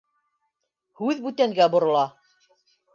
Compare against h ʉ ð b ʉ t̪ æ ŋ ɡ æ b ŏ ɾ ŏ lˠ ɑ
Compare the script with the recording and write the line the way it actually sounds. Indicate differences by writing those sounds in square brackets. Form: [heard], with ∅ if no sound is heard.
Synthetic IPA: h ʉ ð b ʉ t̪ æ ŋ ɡ æ b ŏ ɾ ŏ lˠ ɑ